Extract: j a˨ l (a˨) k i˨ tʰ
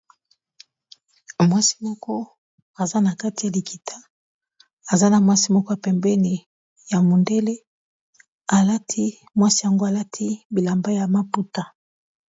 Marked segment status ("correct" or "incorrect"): incorrect